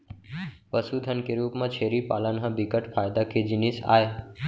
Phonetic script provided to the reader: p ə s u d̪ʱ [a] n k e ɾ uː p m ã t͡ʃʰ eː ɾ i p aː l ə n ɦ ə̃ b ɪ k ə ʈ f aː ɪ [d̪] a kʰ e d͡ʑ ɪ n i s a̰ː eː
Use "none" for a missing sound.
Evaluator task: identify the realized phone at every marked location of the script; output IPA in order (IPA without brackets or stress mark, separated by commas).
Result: ə, d̪